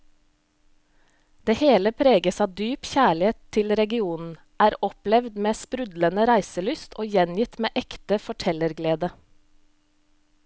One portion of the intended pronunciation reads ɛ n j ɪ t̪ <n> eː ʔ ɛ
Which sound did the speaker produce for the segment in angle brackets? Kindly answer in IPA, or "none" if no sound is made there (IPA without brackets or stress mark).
m